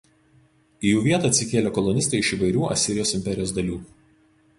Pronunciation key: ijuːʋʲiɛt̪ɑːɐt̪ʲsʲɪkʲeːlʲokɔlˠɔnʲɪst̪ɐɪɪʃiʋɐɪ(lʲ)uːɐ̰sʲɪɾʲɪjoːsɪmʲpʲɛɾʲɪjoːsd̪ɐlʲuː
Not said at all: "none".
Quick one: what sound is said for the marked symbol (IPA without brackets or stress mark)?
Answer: ɾʲ